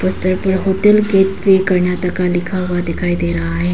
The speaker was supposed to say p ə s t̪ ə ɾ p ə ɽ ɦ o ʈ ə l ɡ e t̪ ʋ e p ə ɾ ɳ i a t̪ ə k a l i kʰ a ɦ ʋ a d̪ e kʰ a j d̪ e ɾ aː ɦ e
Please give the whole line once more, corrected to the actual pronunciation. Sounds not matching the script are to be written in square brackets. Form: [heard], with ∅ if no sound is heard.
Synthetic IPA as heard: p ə s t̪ ə ɾ p ə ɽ ɦ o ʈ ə l ɡ e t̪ ʋ e [k] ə ɾ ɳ [j] a t̪ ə k a l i kʰ a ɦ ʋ a d̪ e kʰ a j d̪ e ɾ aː ɦ e